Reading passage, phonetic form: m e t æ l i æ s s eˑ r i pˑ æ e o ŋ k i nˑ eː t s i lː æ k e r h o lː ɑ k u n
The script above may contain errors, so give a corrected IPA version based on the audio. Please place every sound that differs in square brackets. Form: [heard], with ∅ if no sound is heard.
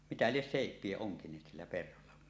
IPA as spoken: m [i] t æ l i [e] s s eˑ [∅] i pˑ [i] e o ŋ k i nˑ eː t s i lː æ [p] e r h o lː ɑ k u n